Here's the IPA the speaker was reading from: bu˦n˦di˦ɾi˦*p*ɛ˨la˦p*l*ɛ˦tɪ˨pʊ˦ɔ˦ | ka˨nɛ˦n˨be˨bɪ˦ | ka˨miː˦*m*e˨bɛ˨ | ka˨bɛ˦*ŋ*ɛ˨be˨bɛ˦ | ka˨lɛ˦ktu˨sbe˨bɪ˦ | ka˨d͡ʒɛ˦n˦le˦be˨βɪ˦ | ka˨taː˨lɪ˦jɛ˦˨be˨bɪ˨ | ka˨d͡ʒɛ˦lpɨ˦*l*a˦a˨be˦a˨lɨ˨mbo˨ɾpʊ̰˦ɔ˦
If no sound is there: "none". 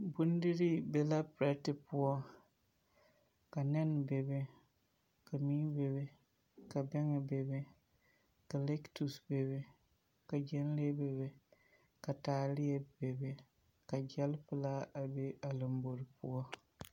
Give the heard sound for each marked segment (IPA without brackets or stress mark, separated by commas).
b, ɾ, b, ŋ, l